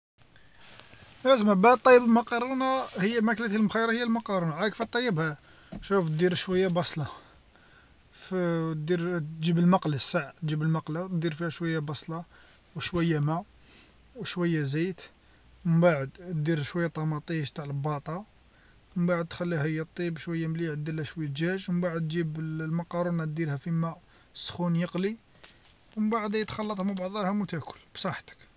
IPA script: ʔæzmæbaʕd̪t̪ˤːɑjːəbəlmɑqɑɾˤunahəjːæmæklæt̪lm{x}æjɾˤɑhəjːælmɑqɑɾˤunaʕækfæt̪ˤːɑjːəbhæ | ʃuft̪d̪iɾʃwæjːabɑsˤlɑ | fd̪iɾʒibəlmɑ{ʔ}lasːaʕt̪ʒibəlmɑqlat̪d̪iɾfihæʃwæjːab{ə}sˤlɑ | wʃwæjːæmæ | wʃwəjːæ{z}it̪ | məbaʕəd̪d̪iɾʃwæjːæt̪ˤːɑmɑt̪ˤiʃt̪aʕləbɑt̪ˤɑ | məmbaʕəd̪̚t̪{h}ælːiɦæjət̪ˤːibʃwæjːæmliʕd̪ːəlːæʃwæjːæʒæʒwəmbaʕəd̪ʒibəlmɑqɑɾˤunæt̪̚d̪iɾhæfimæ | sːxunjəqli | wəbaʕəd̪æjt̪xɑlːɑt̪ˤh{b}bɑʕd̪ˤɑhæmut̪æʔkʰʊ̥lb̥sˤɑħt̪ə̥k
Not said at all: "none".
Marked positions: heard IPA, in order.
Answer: x, q, ɑ, z, x, m

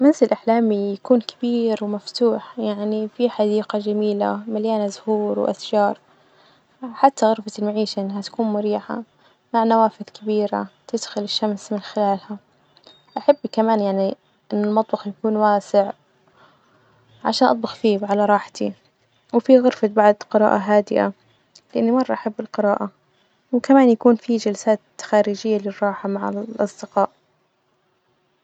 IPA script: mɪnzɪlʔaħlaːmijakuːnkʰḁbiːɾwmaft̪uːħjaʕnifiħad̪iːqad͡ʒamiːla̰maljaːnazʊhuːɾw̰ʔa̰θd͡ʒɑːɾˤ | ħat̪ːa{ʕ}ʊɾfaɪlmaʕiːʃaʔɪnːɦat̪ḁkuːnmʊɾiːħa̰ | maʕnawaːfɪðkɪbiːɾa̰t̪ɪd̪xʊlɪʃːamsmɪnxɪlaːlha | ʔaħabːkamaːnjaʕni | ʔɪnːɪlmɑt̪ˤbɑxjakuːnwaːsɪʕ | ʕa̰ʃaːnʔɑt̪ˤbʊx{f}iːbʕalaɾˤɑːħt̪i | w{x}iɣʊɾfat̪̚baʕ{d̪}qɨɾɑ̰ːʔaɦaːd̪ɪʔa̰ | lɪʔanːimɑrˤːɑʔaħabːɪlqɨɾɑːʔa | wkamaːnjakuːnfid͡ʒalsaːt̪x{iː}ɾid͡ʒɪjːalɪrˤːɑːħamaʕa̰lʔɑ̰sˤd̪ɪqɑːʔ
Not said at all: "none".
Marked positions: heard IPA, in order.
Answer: ɣ, f, f, d̪, aː

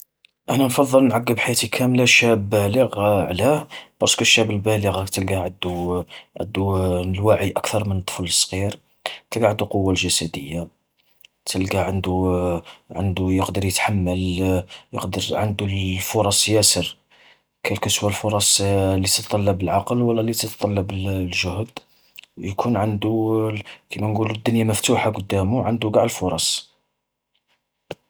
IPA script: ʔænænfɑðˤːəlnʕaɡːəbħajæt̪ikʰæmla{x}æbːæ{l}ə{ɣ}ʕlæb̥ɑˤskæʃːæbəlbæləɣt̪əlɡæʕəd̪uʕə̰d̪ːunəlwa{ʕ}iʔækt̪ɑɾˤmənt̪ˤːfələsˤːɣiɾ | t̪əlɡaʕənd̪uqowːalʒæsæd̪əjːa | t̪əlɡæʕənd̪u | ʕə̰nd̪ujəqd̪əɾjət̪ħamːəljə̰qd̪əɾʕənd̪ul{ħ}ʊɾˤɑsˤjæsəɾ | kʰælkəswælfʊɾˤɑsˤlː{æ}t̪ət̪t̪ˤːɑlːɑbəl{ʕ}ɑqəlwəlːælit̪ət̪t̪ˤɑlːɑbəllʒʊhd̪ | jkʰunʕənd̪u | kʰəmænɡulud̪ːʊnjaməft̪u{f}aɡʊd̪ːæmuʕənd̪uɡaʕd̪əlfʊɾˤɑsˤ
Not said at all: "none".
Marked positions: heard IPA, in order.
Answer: ʃ, l, ɣ, ʕ, f, i, ʕ, ħ

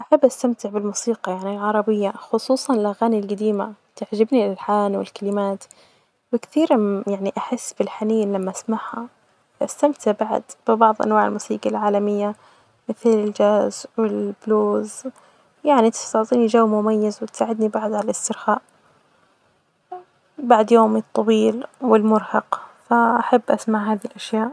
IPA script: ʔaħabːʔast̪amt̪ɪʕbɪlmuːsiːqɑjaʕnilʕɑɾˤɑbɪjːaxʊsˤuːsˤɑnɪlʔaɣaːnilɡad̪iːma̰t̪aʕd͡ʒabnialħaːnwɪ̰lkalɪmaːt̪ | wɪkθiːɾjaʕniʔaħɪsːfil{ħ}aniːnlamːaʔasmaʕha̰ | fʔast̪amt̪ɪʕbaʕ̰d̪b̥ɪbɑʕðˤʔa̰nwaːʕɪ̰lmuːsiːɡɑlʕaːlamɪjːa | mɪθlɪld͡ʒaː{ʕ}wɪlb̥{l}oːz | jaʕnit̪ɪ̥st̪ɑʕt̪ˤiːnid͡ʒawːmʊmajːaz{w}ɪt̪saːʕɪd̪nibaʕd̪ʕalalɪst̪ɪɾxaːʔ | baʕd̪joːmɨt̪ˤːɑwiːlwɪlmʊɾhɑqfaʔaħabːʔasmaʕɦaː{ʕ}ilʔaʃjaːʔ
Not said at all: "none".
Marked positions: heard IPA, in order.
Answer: ħ, z, l, w, ð

